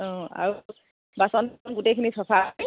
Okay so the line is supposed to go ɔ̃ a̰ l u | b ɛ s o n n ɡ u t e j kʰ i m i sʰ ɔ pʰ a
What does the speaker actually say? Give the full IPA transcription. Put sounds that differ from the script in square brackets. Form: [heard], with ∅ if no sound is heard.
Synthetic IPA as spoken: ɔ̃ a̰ [ɹ] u | b [a] s [ɔ] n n ɡ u t e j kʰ i [n] i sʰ ɔ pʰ a